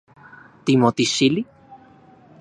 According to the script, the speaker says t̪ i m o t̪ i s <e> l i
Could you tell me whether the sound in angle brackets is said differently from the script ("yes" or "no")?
yes